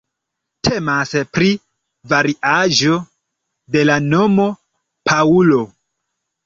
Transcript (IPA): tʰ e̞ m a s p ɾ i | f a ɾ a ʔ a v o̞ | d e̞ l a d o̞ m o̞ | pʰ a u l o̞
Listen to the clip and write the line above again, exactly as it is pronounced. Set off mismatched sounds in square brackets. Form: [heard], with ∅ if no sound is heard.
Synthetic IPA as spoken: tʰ e̞ m a s p ɾ i | [v] a ɾ [i] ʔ a [ʒ] o̞ | d e̞ l a [n] o̞ m o̞ | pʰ a u l o̞